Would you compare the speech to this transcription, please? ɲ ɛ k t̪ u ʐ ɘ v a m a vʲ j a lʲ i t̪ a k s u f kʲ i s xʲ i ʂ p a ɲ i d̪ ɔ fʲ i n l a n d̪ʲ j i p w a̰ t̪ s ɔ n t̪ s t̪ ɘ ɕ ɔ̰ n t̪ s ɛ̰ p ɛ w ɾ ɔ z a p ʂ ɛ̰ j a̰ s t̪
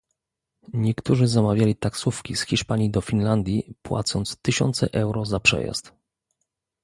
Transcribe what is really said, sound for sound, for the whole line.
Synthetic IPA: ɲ ɛ k t̪ u ʐ ɘ z a m a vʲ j a lʲ i t̪ a k s u f kʲ i s xʲ i ʂ p a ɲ i d̪ ɔ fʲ i n l a n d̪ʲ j i p w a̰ t̪ s ɔ n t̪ s t̪ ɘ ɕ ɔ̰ n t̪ s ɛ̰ ʔ ɛ w ɾ ɔ z a p ʂ ɛ̰ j a̰ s t̪